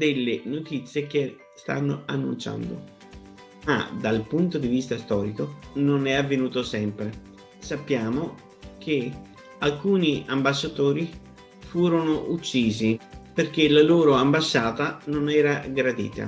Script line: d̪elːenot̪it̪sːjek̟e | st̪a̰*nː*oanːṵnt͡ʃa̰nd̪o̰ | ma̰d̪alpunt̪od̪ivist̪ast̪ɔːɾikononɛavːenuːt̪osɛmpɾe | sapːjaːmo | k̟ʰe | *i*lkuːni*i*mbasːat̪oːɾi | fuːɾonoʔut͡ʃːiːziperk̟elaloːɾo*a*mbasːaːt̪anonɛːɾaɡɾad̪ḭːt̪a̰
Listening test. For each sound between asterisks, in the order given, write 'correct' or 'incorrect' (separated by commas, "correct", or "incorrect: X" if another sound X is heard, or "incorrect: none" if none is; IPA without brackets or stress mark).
correct, incorrect: a, incorrect: a, correct